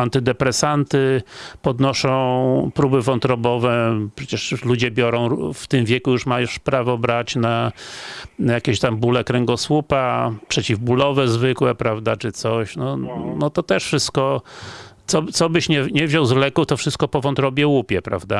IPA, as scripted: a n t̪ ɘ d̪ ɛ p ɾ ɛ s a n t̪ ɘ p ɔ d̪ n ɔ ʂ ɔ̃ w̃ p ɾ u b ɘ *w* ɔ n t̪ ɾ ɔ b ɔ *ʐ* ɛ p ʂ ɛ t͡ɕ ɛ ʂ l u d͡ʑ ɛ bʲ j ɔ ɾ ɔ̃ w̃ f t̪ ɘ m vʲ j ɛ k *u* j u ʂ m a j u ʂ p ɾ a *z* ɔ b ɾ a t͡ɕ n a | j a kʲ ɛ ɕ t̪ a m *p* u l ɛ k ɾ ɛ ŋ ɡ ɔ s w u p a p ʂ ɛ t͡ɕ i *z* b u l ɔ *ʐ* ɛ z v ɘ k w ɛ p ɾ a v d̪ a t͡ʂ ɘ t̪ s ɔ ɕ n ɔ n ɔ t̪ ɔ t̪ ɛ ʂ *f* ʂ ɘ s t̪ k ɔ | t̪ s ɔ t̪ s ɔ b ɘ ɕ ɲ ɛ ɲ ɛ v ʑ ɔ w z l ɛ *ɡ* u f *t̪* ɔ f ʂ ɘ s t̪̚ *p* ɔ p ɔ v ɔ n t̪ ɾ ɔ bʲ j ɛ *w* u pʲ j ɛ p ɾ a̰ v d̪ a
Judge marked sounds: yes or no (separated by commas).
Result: no, no, yes, no, no, no, no, yes, no, yes, no, yes